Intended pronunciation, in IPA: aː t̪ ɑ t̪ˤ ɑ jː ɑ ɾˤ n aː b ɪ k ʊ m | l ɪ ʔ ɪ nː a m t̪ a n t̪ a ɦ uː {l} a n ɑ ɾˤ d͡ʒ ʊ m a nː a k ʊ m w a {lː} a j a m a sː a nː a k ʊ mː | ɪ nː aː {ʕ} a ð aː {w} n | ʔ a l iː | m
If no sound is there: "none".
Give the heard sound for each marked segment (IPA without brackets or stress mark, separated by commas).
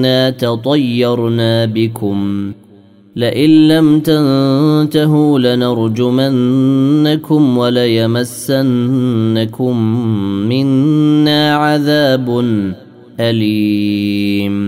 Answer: l, l, ʕ, b